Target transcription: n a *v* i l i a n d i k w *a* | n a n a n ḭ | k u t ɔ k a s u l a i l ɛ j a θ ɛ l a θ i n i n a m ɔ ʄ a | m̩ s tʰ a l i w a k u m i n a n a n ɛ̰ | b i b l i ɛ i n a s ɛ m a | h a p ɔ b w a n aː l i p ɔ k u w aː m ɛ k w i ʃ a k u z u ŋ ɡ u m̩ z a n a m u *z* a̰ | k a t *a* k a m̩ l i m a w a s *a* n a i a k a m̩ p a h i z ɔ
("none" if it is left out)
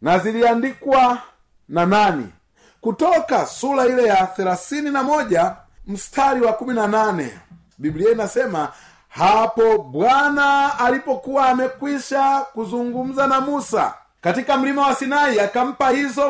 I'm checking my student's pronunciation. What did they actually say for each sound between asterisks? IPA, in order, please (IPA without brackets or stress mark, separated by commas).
z, a, s, i, i